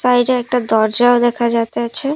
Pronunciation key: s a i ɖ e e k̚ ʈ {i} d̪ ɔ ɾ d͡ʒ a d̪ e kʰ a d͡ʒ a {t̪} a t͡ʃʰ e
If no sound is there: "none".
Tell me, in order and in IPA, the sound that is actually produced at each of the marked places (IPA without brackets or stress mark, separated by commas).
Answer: a, t̪